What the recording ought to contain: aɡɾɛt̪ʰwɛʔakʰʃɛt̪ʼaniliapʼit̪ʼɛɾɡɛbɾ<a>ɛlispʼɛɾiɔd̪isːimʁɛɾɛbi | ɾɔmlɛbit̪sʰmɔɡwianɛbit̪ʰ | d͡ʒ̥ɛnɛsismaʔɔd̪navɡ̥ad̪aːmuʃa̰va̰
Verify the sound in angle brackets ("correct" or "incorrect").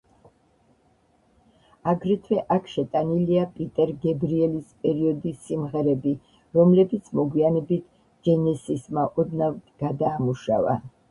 incorrect